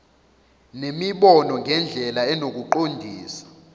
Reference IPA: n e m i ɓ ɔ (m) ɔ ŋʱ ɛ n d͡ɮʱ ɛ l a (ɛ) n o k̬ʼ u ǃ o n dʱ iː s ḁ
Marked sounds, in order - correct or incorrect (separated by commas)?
incorrect, correct